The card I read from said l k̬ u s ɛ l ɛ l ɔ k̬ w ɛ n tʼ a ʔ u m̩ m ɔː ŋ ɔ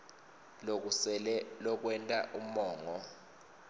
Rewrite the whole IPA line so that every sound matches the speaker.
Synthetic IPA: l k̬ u s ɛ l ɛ l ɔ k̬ w ɛ n tʼ a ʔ u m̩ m ɔː ŋ ɔ